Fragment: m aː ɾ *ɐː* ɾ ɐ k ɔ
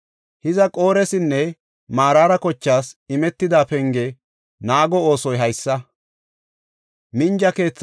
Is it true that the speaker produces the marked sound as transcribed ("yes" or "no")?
no